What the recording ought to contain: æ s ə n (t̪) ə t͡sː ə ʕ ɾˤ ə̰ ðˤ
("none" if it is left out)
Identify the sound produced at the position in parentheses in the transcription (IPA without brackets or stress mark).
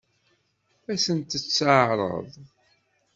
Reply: t̪